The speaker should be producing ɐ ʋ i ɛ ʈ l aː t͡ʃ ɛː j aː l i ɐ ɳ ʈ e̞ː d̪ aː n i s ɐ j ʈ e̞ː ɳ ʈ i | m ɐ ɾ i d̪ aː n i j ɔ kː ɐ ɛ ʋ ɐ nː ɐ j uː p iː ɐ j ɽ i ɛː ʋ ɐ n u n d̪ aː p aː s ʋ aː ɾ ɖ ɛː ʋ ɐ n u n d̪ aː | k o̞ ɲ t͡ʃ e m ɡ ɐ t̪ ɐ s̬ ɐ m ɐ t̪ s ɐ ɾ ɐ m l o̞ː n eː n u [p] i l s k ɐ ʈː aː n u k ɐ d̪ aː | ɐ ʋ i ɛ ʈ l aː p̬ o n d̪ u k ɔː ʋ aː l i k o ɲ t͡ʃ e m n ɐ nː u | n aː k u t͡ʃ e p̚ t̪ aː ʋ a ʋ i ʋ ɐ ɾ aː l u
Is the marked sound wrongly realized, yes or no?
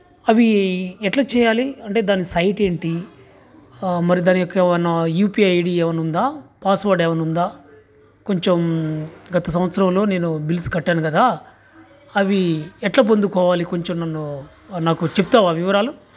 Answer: yes